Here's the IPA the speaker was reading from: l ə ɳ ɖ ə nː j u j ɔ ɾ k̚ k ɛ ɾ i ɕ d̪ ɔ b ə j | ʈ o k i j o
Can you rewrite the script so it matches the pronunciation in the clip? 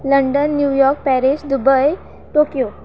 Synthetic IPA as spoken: l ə ɳ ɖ ə nː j u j ɔ ɾ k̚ p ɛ ɾ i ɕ d̪ u b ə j | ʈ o k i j o